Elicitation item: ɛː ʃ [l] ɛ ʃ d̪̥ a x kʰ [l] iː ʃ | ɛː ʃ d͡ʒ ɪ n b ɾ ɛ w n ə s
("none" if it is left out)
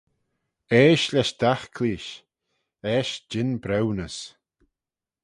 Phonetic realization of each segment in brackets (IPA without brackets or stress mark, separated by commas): l, l